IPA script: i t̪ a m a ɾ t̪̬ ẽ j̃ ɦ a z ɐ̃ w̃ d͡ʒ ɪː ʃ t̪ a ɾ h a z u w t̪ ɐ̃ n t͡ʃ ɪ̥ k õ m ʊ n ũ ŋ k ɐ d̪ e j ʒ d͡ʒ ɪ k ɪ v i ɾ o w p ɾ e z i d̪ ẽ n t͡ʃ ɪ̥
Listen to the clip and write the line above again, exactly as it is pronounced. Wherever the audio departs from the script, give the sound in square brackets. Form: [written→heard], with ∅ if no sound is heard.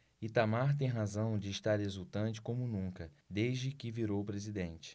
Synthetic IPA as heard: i t̪ a m a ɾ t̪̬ ẽ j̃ ɦ a z ɐ̃ w̃ d͡ʒ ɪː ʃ t̪ a ɾ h [a→e] z u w t̪ ɐ̃ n t͡ʃ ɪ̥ k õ m ʊ n ũ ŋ k ɐ d̪ e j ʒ d͡ʒ ɪ k ɪ v i ɾ o w p ɾ e z i d̪ ẽ n t͡ʃ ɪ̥

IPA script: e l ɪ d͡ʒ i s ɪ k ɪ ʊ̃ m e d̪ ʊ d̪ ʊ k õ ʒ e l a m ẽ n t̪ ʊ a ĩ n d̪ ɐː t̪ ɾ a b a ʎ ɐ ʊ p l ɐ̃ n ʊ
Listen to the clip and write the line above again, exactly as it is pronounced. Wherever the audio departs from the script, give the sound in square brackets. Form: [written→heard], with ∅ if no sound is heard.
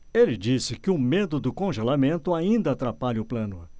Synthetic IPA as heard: e l ɪ d͡ʒ i s ɪ k ɪ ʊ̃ m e d̪ ʊ d̪ ʊ k õ ʒ e l a m ẽ n t̪ ʊ a ĩ n d̪ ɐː t̪ ɾ a [b→p] a ʎ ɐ ʊ p l ɐ̃ n ʊ

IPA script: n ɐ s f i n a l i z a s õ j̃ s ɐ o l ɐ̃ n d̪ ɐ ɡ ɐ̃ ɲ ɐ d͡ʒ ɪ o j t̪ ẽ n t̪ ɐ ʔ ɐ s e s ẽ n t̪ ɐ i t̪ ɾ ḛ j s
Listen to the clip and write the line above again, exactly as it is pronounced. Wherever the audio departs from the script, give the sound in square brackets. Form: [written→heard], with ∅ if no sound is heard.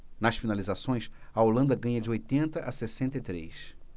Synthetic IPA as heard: n ɐ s f i n a l i z a s õ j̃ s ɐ o l ɐ̃ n d̪ ɐ ɡ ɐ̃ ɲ ɐ d͡ʒ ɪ o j t̪ ẽ n t̪ ɐ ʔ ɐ s e s ẽ n t̪ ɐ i t̪ ɾ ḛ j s

